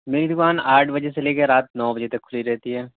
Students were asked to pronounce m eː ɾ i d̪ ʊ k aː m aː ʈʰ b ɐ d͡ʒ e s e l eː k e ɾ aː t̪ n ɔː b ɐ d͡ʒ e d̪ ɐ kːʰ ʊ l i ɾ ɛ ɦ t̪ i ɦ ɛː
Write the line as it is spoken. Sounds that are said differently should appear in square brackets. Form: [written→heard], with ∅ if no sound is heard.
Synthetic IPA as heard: m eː ɾ i d̪ ʊ k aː [m→n] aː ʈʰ b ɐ d͡ʒ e s e l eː k e ɾ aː t̪ n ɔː b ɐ d͡ʒ e [d̪→t̪] ɐ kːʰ ʊ l i ɾ ɛ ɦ t̪ i ɦ ɛː